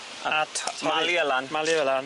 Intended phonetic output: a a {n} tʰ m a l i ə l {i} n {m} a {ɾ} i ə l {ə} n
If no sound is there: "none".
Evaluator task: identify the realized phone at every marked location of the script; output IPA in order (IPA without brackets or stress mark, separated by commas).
none, a, m, l, a